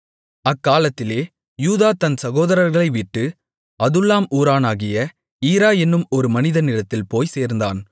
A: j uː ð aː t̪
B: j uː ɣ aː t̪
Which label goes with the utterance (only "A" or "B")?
A